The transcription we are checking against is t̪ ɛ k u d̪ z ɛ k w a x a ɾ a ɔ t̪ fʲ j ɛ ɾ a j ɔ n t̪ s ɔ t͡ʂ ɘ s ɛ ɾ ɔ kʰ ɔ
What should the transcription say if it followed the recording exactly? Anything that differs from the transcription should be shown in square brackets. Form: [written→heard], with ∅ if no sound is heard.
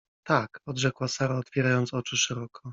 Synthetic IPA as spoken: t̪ [ɛ→a] k [u→ɔ] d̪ [z→ʐ] ɛ k w a [x→s] a ɾ a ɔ t̪ fʲ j ɛ ɾ a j ɔ n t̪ s ɔ t͡ʂ ɘ [s→ʂ] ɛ ɾ ɔ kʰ ɔ